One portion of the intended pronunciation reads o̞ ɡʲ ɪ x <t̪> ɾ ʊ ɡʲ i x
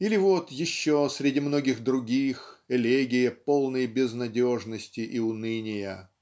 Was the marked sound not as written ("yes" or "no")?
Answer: yes